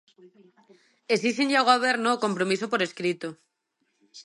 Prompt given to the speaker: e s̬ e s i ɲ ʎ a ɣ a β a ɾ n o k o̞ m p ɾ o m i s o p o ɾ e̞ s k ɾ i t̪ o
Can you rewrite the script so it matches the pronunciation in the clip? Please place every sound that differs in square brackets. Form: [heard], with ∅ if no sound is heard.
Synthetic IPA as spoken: e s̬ [i] s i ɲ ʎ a ɣ a β [e] ɾ n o k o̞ m p ɾ o m i s o p o ɾ e̞ s k ɾ i t̪ o